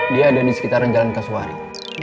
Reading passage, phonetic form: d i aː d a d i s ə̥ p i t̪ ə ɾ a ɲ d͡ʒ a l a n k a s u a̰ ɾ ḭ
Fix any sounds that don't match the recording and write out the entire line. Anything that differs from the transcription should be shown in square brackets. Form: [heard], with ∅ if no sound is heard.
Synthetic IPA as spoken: d i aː d a d i s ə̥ [k] i t̪ [a] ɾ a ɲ d͡ʒ a l a n k a s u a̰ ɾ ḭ